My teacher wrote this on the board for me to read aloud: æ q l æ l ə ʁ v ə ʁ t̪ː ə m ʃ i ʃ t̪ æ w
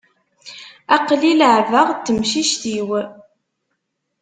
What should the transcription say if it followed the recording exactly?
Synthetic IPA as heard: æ q l i l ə ʕ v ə ʁ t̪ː ə m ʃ i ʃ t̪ i w